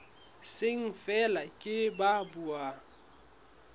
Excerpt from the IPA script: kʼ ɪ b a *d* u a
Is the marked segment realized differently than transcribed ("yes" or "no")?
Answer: yes